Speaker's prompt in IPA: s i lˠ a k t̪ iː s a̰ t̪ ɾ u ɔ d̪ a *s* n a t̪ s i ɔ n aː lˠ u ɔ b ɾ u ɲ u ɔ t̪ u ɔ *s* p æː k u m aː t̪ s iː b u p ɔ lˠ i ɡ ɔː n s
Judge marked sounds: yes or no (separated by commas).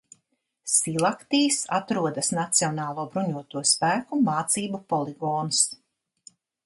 yes, yes